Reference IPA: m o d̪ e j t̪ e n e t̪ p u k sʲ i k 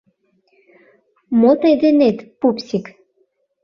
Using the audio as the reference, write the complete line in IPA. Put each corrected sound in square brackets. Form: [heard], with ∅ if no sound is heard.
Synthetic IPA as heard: m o [t̪] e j [d̪] e n e t̪ p u [p] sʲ i k